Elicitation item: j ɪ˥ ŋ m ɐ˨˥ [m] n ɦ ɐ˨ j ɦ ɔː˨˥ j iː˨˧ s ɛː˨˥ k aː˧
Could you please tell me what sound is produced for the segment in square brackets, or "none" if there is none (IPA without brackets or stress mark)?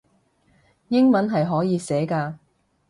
none